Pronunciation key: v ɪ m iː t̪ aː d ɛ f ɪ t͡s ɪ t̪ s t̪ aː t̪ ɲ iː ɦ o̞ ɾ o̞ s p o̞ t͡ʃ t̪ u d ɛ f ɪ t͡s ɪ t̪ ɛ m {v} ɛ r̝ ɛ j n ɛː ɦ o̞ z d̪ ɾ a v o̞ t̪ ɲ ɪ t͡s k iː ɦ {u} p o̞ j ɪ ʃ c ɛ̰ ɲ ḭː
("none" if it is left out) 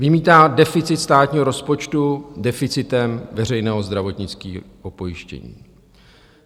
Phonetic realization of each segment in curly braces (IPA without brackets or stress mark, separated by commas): v, o